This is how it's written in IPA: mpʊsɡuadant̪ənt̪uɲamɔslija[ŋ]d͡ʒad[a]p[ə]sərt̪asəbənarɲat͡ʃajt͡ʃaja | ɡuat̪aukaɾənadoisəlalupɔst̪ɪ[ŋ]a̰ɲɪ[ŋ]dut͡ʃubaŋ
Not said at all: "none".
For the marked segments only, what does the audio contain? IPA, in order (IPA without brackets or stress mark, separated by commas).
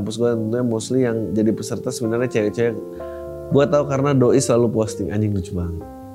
ŋ, i, ə, ŋ, ŋ